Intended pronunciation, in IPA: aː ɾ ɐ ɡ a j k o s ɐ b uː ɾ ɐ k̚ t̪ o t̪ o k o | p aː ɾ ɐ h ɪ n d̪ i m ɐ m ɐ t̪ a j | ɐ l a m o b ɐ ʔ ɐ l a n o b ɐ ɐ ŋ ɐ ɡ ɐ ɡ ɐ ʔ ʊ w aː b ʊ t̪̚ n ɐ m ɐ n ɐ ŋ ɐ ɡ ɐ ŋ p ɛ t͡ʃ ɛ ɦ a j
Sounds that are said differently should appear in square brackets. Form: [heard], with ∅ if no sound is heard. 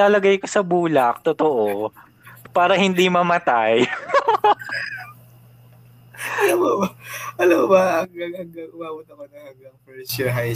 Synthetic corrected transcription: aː [l] ɐ ɡ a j k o s ɐ b uː [l] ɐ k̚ t̪ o t̪ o [ʔ] o | p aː ɾ ɐ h ɪ n d̪ i m ɐ m ɐ t̪ a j | ɐ l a m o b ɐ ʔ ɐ l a [m] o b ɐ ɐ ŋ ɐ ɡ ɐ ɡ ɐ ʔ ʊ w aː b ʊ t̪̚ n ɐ m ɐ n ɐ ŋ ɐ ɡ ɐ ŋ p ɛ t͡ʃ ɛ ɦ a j